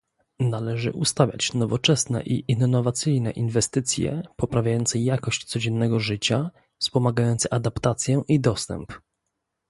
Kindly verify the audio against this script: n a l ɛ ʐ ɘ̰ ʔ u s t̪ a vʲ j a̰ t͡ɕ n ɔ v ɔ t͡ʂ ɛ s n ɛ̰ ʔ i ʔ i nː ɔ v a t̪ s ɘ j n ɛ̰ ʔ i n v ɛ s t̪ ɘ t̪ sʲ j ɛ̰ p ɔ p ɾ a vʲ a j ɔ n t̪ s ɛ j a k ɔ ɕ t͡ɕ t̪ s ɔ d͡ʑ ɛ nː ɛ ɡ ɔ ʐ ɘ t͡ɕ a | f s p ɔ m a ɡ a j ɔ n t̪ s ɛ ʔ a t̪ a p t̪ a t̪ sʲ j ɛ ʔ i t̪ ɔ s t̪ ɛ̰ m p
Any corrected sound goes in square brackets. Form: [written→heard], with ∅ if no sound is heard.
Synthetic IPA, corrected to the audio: n a l ɛ ʐ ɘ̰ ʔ u s t̪ a vʲ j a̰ t͡ɕ n ɔ v ɔ t͡ʂ ɛ s n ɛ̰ ʔ i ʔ i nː ɔ v a t̪ s ɘ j n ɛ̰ ʔ i n v ɛ s t̪ ɘ t̪ sʲ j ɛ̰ p ɔ p ɾ a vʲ a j ɔ n t̪ s ɛ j a k ɔ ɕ t͡ɕ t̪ s ɔ d͡ʑ ɛ nː ɛ ɡ ɔ ʐ ɘ t͡ɕ a | f s p ɔ m a ɡ a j ɔ n t̪ s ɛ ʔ a [t̪→d̪] a p t̪ a t̪ sʲ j ɛ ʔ i [t̪→d̪] ɔ s t̪ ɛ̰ m p